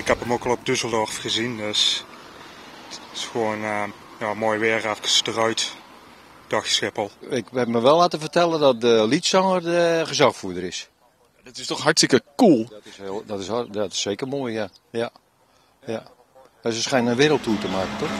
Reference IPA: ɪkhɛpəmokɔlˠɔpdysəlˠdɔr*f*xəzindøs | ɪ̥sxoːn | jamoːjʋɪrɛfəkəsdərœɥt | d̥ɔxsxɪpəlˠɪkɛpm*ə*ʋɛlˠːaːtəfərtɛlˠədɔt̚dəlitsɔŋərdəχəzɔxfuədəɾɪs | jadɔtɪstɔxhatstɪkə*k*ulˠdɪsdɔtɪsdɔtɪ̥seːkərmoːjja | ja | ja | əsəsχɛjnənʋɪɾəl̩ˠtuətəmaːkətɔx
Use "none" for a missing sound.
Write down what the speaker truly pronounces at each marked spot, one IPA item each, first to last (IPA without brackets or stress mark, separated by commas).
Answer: f, ə, k